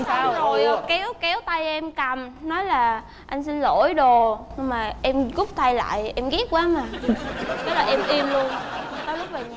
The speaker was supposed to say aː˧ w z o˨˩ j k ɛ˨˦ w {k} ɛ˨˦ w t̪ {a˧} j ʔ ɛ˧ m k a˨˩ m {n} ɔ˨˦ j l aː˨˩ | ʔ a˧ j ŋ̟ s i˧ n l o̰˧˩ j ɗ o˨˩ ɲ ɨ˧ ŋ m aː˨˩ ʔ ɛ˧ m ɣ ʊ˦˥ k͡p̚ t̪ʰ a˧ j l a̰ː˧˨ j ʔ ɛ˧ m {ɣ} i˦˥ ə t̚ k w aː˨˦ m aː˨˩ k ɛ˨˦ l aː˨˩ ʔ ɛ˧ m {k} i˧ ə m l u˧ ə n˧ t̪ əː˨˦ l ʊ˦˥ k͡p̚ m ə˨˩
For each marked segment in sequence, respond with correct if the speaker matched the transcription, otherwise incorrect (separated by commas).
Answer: correct, correct, correct, correct, incorrect